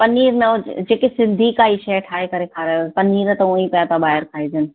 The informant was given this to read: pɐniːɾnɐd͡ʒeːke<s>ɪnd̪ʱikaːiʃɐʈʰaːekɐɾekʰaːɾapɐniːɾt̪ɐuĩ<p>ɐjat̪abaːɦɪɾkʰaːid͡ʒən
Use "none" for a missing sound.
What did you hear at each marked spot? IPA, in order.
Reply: s, p

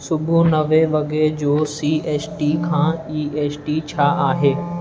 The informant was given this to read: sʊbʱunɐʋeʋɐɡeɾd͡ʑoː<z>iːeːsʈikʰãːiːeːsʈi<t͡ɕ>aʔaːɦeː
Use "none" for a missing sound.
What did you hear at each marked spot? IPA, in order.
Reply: s, t͡ɕʰ

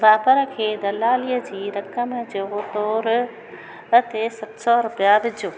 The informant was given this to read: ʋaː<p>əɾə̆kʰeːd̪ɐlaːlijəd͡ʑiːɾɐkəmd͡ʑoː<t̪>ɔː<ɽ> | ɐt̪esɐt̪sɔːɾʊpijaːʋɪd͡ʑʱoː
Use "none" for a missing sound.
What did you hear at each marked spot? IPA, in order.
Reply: p, t̪, ɾ

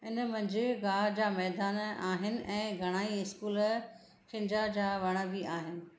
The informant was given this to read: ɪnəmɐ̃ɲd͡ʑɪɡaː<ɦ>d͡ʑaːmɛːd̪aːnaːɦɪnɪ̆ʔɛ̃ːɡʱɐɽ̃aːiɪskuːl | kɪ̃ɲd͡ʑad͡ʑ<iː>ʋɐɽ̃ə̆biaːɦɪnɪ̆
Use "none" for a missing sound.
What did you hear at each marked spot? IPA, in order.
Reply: ɦ, aː

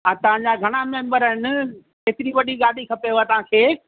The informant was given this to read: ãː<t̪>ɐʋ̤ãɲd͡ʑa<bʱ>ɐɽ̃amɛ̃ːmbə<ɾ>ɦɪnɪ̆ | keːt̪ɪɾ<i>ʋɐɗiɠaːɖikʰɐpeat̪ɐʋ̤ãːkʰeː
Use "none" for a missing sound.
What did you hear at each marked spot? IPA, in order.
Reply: t̪, ɡʱ, ɾ, i

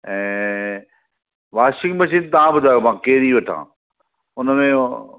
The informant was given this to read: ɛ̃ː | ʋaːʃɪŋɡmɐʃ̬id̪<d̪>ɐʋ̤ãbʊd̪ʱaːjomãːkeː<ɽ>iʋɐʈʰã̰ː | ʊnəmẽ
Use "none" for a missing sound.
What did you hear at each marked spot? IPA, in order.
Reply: t̪, ɾ

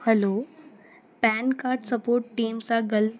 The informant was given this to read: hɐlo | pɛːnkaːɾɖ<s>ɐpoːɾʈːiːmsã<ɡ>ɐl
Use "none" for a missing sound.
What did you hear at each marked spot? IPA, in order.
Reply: s, ɡ

